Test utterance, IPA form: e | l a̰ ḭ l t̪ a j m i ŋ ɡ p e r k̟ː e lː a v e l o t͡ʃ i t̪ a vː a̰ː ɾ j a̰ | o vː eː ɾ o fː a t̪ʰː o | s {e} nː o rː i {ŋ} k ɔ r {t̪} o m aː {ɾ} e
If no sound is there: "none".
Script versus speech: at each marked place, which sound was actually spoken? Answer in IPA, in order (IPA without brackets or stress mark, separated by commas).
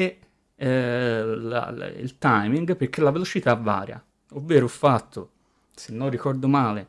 e, none, d̪, l